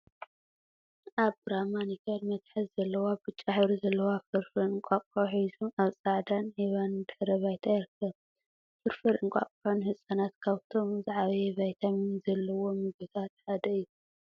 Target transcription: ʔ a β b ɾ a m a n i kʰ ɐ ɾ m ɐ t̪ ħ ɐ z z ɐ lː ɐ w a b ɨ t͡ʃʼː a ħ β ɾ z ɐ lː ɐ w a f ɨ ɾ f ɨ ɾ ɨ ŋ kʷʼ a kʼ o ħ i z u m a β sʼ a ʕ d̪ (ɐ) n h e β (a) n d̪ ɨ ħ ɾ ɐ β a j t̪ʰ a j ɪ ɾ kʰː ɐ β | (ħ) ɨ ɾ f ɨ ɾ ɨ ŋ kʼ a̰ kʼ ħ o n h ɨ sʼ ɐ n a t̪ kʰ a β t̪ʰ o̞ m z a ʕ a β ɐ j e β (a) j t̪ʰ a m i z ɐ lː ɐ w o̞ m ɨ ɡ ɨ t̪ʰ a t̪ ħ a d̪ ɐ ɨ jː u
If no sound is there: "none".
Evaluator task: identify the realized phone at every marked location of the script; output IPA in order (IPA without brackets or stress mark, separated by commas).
a, a, f, a